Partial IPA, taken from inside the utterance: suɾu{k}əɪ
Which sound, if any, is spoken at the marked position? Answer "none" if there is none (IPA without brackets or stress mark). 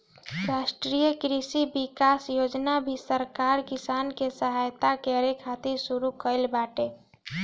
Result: k